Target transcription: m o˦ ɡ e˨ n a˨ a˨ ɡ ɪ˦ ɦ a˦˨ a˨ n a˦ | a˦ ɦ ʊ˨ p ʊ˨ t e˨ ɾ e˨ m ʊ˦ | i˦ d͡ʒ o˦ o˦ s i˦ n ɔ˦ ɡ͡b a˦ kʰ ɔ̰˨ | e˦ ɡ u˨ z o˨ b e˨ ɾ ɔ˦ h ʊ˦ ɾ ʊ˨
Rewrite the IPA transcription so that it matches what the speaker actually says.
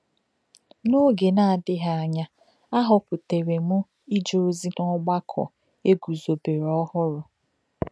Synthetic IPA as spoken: n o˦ ɡ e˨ n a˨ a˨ d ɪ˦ ɦ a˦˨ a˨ ɲ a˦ | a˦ ɦ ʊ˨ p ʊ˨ t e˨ ɾ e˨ m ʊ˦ | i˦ d͡ʒ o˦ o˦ z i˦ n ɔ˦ ɡ͡b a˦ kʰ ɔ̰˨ | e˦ ɡ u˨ z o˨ b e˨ ɾ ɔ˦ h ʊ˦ ɾ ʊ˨